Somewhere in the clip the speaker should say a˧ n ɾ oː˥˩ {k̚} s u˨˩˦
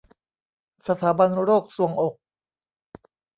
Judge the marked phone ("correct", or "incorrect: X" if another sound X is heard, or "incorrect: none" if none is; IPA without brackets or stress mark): correct